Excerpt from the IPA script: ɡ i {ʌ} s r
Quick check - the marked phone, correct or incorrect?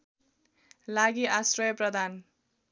incorrect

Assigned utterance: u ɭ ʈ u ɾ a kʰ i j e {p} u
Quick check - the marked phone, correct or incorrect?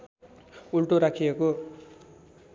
incorrect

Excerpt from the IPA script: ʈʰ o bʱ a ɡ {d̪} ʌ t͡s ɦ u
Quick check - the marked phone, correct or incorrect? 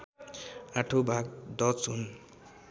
correct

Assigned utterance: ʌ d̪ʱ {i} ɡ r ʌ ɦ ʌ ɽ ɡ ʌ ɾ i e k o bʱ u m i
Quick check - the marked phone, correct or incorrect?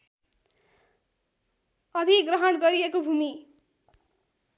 correct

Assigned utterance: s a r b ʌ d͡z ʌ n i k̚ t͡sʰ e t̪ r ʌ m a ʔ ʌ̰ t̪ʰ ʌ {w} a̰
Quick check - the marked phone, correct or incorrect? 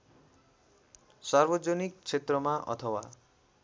correct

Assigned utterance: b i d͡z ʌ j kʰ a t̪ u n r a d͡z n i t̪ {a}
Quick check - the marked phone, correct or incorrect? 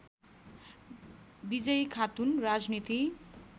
incorrect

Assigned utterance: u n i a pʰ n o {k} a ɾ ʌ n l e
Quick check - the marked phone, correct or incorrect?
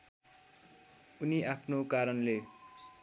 correct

